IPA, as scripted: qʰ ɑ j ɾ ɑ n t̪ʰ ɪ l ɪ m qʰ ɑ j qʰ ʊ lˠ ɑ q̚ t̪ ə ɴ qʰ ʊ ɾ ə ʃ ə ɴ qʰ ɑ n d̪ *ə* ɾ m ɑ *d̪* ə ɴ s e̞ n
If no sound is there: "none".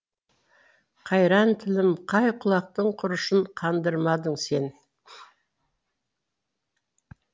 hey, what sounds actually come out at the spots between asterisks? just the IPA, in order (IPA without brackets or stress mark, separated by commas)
ə, d̪